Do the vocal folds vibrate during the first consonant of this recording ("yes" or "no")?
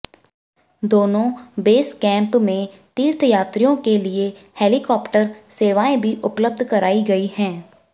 yes